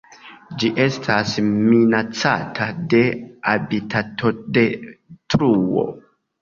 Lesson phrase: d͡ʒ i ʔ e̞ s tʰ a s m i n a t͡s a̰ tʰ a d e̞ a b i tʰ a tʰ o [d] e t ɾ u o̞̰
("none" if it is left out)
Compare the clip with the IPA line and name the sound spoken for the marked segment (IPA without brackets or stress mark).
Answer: d